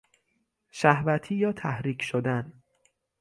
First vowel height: low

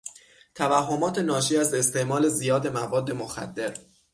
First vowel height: low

